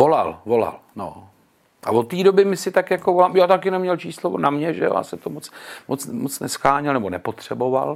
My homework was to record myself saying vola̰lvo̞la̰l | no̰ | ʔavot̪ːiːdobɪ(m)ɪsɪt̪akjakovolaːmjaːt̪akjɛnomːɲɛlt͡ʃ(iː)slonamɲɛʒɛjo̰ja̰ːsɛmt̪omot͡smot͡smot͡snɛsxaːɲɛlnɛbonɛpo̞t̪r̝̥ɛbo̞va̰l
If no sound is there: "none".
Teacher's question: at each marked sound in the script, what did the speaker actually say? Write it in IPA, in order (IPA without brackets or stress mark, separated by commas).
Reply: m, iː